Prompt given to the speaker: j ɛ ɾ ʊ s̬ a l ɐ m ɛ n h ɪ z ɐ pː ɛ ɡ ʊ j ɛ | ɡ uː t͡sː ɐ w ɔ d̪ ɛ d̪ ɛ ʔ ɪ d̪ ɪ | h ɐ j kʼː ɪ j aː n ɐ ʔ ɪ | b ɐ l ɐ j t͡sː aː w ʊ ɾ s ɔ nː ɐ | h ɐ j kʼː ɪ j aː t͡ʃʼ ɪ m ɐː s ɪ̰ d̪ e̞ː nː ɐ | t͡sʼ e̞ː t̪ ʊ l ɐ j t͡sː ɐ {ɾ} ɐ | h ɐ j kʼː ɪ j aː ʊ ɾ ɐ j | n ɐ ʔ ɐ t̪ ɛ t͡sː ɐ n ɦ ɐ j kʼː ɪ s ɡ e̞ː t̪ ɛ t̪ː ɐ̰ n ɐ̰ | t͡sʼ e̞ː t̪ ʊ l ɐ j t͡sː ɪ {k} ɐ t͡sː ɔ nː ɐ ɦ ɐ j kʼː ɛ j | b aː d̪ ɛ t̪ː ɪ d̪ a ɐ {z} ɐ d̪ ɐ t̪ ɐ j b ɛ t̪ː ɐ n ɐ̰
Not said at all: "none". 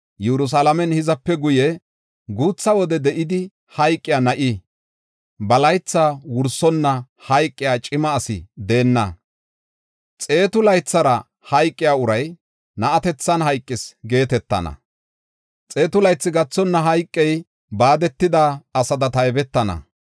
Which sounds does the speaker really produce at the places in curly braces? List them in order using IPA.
ɾ, ɡ, s

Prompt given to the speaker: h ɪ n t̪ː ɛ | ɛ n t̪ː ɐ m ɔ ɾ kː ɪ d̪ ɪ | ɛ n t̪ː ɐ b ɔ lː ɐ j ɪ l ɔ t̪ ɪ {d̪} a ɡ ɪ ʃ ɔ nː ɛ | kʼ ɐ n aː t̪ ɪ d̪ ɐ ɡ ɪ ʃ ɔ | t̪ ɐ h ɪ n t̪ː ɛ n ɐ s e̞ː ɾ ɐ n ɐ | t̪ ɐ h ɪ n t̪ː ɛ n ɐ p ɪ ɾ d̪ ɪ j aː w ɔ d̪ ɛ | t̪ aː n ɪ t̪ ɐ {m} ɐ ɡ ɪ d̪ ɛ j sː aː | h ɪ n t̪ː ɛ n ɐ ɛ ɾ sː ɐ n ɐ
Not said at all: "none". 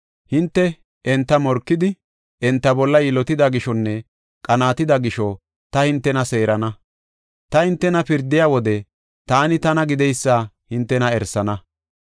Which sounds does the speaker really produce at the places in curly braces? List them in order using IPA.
d̪, n

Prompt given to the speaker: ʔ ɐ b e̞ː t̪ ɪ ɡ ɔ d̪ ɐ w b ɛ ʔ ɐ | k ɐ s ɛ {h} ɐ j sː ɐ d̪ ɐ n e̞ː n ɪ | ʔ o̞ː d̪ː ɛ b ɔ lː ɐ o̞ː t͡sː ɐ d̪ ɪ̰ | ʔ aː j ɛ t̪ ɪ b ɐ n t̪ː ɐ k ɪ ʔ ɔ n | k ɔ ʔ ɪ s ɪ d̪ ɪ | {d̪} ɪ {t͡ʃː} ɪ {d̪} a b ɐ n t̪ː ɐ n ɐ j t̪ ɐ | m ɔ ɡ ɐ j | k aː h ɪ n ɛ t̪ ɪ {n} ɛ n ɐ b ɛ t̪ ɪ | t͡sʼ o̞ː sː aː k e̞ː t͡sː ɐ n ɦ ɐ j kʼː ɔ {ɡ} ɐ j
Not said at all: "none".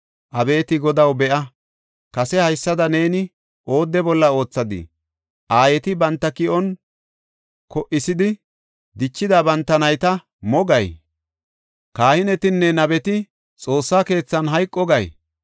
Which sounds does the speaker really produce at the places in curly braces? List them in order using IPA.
h, d̪, t͡ʃː, d̪, nː, ɡ

